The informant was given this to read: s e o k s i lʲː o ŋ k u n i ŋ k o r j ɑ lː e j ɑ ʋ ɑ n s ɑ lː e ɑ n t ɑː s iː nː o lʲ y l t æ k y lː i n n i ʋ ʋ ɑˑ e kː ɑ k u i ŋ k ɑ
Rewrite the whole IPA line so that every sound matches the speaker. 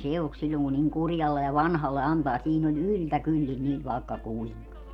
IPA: s e o k s i lʲː o ŋ k u n i ŋ k u r j ɑ lː e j ɑ ʋ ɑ n h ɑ lː e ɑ n t ɑː s iː n o lʲ y l t æ k y lː i n n i ʋ ʋ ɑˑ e kː ɑ k u i ŋ k ɑ